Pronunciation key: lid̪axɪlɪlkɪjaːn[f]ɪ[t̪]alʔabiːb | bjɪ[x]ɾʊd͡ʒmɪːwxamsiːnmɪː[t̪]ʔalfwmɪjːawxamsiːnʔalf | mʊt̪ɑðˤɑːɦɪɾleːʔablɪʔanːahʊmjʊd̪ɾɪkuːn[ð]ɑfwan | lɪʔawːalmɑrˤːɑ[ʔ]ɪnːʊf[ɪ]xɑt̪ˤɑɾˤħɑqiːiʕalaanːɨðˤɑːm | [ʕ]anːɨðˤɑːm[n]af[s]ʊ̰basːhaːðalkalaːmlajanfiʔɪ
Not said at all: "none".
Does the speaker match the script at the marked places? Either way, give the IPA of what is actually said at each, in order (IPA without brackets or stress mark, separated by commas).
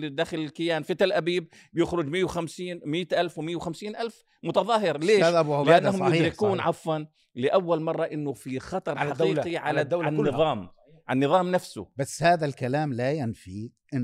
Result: f, t̪, x, t̪, ʕ, ʔ, i, ʕ, n, s